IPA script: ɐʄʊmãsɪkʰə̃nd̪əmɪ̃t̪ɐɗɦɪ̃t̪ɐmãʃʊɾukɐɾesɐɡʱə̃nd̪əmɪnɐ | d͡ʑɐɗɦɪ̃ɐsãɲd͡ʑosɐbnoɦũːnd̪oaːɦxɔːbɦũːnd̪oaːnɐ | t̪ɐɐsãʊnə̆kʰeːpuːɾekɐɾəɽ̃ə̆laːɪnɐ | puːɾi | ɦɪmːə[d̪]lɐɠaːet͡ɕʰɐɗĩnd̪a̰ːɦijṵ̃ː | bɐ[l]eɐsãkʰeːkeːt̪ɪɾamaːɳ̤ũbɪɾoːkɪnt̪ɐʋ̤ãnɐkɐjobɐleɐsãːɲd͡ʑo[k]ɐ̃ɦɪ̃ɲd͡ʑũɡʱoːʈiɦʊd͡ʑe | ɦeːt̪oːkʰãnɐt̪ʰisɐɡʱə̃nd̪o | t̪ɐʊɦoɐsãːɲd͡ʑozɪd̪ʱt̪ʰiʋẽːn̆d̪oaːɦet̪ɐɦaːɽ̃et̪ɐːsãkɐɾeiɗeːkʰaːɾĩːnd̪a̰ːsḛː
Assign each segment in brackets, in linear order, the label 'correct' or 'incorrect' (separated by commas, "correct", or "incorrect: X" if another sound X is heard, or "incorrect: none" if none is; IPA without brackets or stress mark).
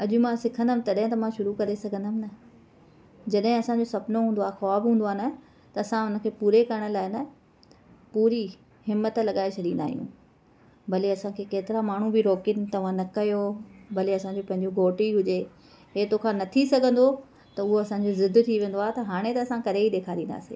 incorrect: t̪, correct, incorrect: p